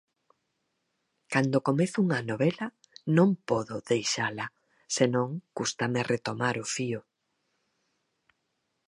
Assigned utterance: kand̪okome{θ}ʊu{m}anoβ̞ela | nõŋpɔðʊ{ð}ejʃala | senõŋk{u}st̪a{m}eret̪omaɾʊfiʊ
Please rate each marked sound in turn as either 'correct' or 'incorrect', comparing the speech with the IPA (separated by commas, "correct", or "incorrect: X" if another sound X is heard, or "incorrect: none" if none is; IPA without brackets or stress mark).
correct, incorrect: ŋ, correct, correct, correct